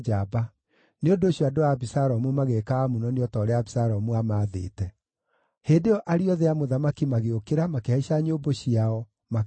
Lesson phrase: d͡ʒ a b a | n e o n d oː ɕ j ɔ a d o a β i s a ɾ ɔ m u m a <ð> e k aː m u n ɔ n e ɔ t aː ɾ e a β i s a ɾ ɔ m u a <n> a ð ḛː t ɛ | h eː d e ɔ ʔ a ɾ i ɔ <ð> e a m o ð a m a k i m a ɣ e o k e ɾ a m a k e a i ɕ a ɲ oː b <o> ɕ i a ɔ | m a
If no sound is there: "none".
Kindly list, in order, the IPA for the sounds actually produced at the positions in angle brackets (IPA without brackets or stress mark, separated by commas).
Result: ɣ, m, ð, o